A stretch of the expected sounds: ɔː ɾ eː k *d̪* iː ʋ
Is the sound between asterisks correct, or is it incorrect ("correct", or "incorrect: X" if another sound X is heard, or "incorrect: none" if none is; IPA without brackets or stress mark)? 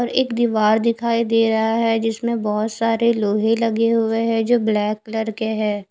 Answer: correct